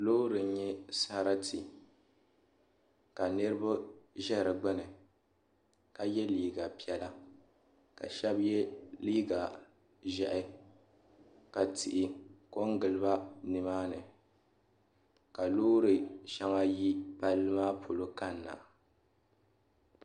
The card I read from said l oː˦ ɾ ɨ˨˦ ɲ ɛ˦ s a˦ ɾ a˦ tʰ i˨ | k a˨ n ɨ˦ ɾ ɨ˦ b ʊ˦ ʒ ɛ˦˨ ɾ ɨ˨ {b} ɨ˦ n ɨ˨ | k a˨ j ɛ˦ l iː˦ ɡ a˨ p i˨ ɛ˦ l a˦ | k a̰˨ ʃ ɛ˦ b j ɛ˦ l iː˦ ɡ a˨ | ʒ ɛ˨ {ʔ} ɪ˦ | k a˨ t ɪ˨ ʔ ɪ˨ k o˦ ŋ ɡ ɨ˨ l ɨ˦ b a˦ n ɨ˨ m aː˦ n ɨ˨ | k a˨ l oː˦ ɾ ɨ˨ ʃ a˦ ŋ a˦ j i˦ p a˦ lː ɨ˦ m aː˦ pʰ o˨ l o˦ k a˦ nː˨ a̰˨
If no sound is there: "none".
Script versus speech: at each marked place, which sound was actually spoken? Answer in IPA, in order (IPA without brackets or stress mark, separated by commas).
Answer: ɡ͡b, ʔ